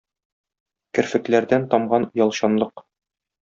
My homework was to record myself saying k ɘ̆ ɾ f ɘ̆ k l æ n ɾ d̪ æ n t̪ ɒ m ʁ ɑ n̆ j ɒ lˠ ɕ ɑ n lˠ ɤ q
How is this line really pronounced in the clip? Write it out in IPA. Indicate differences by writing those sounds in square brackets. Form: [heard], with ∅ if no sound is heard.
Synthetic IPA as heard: k ɘ̆ ɾ f ɘ̆ k l æ [∅] ɾ d̪ æ n t̪ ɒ m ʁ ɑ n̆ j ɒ lˠ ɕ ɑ n lˠ ɤ q

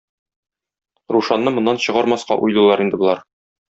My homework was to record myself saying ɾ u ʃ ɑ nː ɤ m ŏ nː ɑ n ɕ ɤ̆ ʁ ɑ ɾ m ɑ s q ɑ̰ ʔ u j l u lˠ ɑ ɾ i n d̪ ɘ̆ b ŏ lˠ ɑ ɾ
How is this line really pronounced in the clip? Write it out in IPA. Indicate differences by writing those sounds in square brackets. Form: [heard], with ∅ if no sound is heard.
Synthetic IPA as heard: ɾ u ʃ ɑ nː ɤ m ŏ nː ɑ n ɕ ɤ̆ ʁ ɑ ɾ m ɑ s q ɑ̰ ʔ u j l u lˠ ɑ ɾ i n d̪ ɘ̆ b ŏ lˠ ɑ ɾ

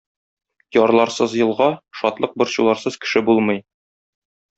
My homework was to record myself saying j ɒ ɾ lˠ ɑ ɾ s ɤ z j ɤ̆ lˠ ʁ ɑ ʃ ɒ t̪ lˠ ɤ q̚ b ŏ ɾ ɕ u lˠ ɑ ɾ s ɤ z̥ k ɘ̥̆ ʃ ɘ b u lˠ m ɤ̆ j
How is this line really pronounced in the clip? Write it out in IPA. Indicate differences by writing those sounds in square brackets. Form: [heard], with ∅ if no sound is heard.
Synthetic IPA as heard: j ɒ ɾ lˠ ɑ ɾ s ɤ z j ɤ̆ lˠ ʁ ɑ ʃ ɒ t̪ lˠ ɤ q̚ b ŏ ɾ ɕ u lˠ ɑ ɾ s ɤ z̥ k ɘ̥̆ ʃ ɘ b u lˠ m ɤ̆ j

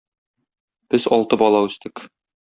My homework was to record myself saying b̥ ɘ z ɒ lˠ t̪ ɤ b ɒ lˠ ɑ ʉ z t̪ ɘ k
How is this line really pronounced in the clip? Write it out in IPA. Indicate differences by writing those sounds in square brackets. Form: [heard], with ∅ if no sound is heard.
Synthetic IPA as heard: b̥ ɘ z ɒ lˠ t̪ ɤ b ɒ lˠ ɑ ʉ [s] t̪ ɘ k

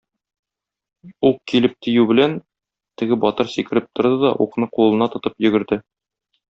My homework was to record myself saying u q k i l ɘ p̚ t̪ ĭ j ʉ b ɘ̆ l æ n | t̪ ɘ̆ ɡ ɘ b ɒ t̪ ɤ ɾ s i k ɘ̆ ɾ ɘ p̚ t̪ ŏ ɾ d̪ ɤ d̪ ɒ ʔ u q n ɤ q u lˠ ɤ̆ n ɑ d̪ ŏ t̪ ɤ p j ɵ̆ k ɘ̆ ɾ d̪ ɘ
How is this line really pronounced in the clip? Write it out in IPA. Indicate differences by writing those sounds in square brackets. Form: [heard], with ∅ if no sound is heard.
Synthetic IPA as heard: u q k i l ɘ p̚ t̪ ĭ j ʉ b ɘ̆ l æ n | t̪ ɘ̆ ɡ ɘ b ɒ t̪ ɤ ɾ s i k ɘ̆ ɾ ɘ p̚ t̪ ŏ ɾ d̪ ɤ d̪ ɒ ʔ u q n ɤ q u lˠ ɤ̆ n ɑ [t̪] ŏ t̪ ɤ p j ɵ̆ [ɡ] ɘ̆ ɾ d̪ ɘ

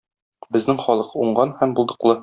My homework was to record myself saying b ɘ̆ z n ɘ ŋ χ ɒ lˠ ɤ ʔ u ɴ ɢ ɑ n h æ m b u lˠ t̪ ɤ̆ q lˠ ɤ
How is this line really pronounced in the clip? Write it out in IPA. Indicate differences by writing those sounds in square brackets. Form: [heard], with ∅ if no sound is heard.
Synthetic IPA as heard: b ɘ̆ z n ɘ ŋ χ ɒ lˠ ɤ [q] u ɴ ɢ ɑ n h æ m b u lˠ [d̪] ɤ̆ q lˠ ɤ

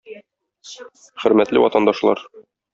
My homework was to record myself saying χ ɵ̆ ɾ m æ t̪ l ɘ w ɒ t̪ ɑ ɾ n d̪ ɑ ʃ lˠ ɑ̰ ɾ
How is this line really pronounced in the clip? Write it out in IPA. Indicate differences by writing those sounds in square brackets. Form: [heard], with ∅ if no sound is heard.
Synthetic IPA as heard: χ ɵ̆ ɾ m æ t̪ l ɘ w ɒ t̪ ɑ [∅] n d̪ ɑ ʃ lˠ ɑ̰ ɾ

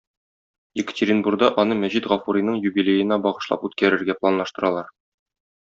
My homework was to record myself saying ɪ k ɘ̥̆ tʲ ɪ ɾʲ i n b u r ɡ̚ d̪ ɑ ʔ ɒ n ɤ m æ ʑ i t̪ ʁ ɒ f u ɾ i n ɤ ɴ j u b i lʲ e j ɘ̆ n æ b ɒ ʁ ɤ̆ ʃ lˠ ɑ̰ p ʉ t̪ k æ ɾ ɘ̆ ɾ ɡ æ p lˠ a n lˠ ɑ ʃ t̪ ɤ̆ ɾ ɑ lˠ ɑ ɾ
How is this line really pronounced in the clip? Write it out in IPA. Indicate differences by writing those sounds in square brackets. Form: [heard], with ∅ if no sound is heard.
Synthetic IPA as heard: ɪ k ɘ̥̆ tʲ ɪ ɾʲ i n b u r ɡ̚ d̪ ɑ ʔ ɒ n ɤ m æ ʑ i t̪ ʁ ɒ f u ɾ i n ɤ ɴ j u b i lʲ e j ɘ̆ n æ b ɒ ʁ ɤ̆ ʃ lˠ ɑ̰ p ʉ t̪ k æ ɾ ɘ̆ ɾ ɡ æ p lˠ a n lˠ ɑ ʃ t̪ ɤ̆ ɾ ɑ lˠ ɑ ɾ

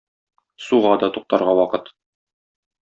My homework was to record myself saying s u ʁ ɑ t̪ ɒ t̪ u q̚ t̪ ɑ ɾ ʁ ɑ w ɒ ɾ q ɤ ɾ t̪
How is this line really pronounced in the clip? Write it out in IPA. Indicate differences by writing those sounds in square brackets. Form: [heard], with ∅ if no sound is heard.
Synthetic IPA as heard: s u ʁ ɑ [d̪] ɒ t̪ u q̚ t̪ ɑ ɾ ʁ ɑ w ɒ [∅] q ɤ [∅] t̪

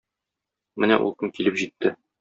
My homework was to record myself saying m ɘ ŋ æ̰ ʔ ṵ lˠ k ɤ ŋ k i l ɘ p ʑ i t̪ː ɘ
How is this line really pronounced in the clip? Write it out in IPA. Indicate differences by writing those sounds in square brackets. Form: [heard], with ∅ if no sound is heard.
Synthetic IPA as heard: m ɘ [n] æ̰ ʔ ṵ lˠ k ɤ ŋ k i l ɘ p ʑ i t̪ː ɘ

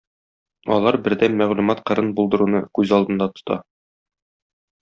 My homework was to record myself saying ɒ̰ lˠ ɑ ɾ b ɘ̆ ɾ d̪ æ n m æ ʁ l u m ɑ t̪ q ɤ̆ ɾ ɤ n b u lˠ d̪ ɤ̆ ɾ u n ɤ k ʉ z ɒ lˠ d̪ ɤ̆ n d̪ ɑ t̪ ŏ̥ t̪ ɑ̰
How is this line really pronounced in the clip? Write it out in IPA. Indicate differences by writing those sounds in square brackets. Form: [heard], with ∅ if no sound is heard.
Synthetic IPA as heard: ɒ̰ lˠ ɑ ɾ b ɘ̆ ɾ d̪ æ n m æ ʁ l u m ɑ t̪ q ɤ̆ ɾ ɤ n b u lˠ d̪ ɤ̆ ɾ u n ɤ k ʉ z ɒ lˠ d̪ ɤ̆ n d̪ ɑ t̪ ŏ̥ t̪ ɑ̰

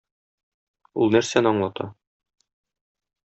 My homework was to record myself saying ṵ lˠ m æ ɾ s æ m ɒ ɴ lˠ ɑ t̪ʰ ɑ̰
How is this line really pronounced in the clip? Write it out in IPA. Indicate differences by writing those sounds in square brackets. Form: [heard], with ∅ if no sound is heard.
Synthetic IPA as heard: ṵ lˠ [n] æ ɾ s æ [n] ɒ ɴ lˠ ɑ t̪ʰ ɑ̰

